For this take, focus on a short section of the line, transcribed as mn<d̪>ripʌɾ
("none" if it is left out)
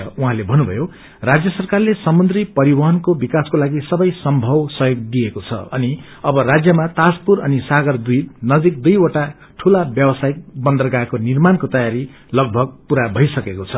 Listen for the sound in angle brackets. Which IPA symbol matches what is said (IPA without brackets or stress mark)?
d̪